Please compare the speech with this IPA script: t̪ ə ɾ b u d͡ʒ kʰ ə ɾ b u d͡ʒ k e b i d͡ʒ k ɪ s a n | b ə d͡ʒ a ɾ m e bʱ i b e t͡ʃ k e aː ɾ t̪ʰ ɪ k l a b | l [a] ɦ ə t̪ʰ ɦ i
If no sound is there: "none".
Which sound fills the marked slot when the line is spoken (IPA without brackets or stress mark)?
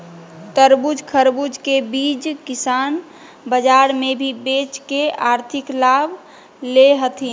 e